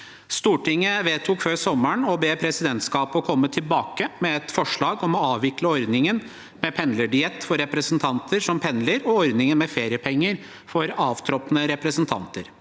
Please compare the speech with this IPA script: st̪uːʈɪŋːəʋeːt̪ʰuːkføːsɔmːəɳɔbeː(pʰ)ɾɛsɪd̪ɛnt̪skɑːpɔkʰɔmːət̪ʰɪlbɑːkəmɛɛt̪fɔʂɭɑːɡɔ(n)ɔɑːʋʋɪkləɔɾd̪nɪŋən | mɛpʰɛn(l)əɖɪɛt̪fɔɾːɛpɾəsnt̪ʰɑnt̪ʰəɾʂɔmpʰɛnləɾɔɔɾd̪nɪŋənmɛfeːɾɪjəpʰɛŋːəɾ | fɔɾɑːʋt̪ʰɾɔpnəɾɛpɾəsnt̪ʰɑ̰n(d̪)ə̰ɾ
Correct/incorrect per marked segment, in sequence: correct, incorrect, correct, incorrect

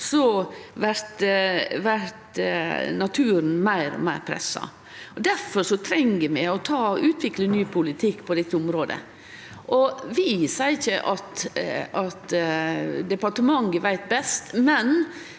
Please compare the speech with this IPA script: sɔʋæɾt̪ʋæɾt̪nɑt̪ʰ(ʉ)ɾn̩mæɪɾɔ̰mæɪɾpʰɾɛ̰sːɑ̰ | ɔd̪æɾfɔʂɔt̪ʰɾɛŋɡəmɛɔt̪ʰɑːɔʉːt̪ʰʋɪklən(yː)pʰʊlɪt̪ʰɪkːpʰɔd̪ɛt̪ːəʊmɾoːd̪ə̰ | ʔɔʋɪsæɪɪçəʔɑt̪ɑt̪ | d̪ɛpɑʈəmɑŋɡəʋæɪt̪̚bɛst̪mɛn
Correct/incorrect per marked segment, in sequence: incorrect, correct

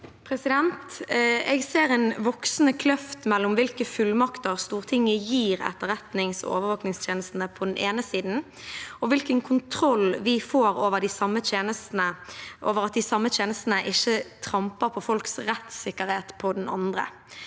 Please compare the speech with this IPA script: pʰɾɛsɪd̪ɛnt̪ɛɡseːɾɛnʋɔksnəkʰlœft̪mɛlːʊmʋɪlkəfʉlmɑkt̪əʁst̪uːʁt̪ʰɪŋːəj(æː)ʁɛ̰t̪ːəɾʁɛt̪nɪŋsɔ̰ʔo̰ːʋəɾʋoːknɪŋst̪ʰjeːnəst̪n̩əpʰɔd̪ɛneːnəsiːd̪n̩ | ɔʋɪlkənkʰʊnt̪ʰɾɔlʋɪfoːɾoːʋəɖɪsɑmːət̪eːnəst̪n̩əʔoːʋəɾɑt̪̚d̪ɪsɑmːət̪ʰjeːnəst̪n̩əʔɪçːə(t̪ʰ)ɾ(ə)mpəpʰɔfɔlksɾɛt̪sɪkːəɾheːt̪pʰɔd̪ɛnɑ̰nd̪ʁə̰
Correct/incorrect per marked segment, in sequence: incorrect, correct, incorrect

